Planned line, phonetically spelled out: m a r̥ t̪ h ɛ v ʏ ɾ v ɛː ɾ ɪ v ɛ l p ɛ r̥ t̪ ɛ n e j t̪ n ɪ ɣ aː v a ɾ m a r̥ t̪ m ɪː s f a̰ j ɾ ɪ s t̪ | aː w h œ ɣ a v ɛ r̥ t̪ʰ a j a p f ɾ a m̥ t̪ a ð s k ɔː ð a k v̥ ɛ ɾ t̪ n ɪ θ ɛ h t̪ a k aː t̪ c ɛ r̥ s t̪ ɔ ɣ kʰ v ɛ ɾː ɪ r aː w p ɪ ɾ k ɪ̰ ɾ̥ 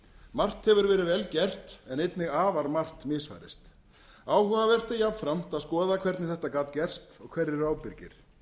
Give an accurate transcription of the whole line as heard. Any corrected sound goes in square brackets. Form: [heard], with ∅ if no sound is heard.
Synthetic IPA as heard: m a r̥ t̪ h ɛ v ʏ ɾ v ɛː ɾ ɪ v ɛ l [c] ɛ r̥ t̪ ɛ n e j t̪ n ɪ ɣ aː v a ɾ m a r̥ t̪ m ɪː s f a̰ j ɾ ɪ s t̪ | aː w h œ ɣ a v ɛ r̥ [t̪] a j a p f ɾ a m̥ t̪ a ð s k ɔː ð a [kʰ] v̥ ɛ ɾ t̪ n ɪ θ ɛ h t̪ a k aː t̪ c ɛ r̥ s t̪ ɔ ɣ kʰ v ɛ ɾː ɪ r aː w p ɪ ɾ [c] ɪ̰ ɾ̥